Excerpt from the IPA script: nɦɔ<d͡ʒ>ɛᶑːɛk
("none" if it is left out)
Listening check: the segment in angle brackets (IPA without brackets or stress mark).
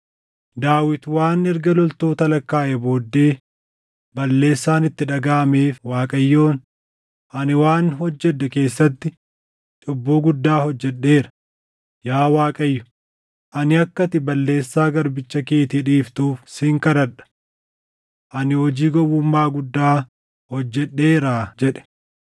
d͡ʒː